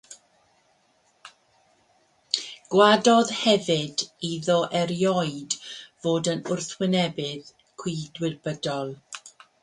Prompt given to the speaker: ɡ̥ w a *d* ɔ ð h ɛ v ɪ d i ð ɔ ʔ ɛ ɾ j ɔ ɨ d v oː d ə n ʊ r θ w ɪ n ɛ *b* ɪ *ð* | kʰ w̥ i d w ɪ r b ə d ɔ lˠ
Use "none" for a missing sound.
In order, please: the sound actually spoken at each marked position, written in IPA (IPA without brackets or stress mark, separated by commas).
d, b, ð